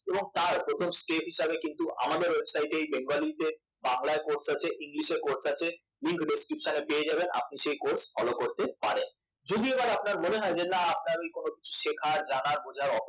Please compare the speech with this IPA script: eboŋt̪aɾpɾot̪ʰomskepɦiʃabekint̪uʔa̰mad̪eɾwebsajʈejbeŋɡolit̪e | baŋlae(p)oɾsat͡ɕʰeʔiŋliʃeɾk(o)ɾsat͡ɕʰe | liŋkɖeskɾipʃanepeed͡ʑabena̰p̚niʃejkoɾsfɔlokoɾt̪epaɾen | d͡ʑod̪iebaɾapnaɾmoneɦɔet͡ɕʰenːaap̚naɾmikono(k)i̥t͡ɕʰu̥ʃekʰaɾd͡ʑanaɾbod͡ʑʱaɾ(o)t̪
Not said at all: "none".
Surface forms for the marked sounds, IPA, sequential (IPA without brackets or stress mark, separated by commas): k, o, k, ɔ